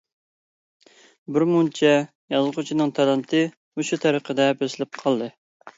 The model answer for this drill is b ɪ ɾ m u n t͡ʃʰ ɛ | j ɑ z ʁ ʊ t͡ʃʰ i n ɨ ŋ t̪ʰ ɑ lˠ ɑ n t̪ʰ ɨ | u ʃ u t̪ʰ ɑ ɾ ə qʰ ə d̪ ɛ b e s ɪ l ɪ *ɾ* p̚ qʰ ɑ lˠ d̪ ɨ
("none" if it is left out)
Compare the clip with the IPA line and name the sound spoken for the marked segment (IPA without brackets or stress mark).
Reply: none